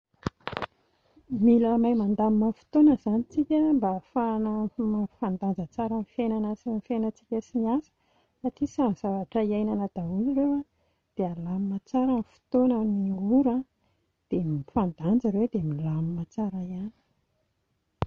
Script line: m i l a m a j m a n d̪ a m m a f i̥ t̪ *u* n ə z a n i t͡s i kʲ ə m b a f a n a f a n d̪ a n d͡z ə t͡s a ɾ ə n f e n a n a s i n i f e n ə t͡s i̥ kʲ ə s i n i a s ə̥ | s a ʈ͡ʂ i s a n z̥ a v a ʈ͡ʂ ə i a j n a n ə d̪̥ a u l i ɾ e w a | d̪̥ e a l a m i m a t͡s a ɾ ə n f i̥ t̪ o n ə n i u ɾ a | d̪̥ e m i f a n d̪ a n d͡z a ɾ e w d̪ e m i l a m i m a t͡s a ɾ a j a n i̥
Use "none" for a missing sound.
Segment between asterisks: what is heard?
o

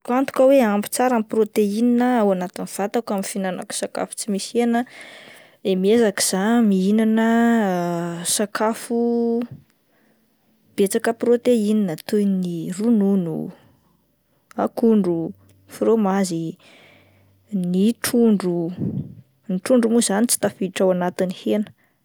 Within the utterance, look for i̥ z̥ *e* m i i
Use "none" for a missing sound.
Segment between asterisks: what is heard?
a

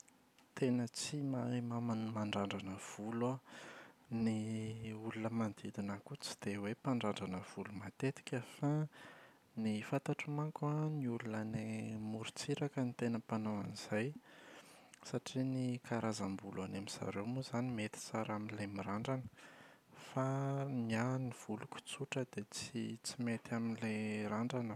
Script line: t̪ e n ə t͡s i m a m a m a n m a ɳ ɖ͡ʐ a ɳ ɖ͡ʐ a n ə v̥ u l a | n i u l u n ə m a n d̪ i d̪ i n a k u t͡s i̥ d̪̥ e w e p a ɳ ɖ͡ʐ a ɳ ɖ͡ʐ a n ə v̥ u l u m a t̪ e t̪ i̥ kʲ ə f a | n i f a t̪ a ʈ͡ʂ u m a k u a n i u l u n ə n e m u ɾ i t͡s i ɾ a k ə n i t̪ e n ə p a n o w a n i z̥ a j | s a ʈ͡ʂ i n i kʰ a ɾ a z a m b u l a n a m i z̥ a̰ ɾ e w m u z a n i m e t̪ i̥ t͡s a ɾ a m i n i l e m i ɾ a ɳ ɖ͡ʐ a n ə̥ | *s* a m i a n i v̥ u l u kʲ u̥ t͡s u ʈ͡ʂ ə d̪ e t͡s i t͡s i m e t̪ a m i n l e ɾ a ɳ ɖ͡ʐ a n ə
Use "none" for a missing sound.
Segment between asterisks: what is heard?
f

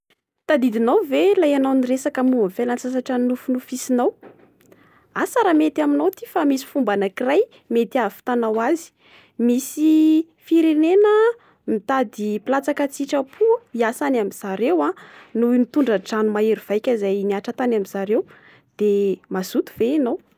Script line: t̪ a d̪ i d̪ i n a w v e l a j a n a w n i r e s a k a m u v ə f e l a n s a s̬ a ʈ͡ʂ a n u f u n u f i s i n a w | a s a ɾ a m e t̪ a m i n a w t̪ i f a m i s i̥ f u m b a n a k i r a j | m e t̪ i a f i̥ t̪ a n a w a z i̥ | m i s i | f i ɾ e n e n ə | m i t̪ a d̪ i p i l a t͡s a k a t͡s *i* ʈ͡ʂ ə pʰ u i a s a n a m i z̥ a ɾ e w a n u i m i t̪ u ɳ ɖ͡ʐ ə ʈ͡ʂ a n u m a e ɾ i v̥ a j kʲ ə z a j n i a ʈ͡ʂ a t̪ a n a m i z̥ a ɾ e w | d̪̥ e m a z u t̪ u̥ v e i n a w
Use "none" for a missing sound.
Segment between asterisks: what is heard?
i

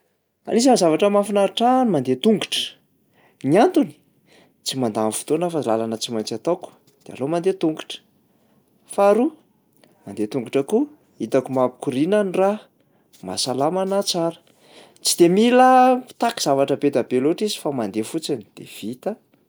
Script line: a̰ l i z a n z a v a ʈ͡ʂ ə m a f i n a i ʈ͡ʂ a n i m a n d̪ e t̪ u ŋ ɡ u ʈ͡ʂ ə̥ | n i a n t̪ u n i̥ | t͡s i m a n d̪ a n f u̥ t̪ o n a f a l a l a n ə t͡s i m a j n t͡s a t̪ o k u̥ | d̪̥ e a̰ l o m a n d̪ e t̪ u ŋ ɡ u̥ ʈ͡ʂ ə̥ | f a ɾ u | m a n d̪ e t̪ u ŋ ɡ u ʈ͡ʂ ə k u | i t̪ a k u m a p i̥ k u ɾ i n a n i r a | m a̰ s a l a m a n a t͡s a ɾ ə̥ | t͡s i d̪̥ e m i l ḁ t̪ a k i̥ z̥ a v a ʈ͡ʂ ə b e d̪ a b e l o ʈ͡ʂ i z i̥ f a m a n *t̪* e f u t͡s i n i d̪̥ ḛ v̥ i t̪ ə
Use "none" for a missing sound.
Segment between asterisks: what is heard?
d̪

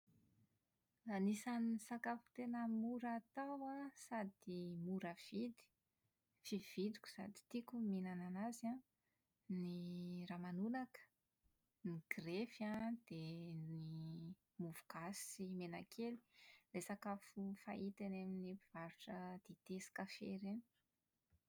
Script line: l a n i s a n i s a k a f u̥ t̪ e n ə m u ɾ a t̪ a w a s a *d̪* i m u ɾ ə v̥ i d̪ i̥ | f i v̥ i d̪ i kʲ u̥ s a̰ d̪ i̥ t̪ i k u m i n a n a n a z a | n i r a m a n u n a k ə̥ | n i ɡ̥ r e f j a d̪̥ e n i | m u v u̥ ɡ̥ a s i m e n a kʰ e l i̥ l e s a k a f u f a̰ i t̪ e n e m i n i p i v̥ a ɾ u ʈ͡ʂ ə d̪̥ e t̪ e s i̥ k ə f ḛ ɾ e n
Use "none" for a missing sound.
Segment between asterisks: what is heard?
d̪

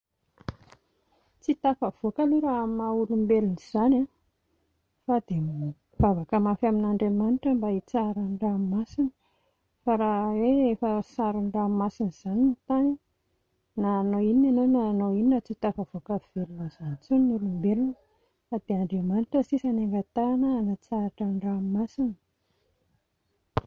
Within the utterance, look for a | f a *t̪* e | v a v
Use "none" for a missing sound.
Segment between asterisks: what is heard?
d̪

